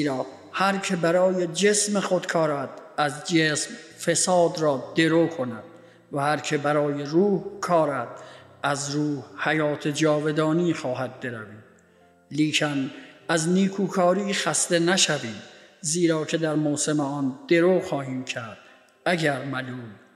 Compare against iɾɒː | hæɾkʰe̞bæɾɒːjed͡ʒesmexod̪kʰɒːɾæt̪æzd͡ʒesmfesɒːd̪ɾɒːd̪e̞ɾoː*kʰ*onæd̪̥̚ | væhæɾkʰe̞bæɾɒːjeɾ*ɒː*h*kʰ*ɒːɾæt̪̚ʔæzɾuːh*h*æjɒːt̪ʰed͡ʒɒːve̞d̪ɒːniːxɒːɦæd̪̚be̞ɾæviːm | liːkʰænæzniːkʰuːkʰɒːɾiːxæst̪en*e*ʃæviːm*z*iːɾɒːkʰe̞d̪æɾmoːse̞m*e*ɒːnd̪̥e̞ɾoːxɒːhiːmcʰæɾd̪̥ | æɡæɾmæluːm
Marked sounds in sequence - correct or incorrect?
correct, incorrect, correct, correct, incorrect, correct, correct

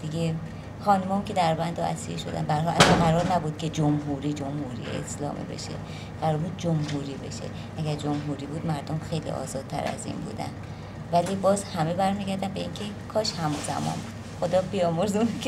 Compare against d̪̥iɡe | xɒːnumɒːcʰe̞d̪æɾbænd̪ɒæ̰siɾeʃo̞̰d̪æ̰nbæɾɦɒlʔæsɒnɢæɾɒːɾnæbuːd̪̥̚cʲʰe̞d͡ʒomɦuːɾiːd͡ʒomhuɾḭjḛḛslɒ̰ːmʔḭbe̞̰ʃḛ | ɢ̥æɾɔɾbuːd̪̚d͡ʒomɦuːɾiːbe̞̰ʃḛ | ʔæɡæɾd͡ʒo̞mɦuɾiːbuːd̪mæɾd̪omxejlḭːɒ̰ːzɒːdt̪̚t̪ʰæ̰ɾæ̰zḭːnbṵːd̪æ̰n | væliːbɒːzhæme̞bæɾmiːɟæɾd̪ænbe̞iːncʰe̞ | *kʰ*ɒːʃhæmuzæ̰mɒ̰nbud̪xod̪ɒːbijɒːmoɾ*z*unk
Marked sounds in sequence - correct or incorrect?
correct, correct

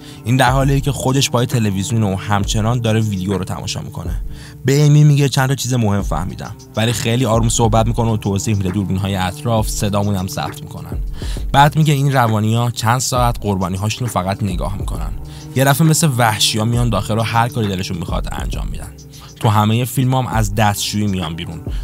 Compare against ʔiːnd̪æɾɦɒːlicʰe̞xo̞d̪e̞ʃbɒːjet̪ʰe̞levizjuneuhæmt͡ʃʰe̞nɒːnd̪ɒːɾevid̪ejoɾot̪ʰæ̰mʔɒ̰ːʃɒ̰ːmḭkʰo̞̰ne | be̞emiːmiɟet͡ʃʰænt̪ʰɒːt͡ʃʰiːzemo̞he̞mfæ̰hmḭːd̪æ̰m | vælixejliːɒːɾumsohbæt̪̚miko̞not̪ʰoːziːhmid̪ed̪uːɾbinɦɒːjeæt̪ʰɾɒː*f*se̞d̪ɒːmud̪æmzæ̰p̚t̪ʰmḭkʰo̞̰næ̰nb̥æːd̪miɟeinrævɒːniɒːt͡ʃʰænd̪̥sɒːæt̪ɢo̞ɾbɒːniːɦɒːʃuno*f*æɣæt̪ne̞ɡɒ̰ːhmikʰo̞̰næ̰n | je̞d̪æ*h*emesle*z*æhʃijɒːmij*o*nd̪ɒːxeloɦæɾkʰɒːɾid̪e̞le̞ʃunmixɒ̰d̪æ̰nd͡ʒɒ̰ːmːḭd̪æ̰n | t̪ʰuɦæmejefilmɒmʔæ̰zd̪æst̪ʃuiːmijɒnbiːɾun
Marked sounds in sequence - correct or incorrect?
correct, correct, incorrect, incorrect, incorrect

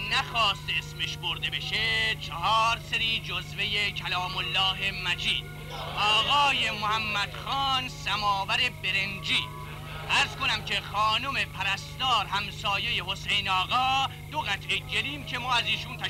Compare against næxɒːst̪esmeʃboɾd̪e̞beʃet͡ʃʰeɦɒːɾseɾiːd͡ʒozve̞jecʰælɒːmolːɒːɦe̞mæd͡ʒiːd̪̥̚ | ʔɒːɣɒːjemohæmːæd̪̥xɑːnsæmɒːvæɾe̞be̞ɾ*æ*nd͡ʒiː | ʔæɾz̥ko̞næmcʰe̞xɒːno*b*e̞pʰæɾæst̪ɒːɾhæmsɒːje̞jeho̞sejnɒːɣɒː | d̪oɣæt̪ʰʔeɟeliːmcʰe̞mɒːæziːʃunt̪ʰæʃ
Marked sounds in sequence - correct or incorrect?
incorrect, incorrect

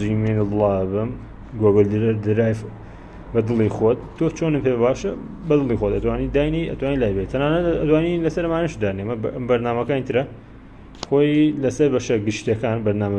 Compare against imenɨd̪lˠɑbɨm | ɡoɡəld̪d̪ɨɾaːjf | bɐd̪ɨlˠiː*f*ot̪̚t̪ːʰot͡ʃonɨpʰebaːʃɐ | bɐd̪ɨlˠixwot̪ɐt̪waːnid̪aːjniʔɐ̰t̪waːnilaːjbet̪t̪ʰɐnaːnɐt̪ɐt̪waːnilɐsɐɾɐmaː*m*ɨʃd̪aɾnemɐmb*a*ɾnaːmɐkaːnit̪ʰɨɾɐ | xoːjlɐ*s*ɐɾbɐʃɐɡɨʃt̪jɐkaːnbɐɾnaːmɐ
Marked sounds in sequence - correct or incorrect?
incorrect, incorrect, incorrect, correct

